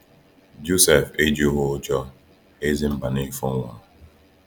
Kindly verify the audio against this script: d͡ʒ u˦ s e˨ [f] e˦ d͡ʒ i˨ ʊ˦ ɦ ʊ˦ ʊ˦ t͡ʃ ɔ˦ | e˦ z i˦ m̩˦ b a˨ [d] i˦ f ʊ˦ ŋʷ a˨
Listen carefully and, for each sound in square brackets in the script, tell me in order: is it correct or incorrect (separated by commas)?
correct, incorrect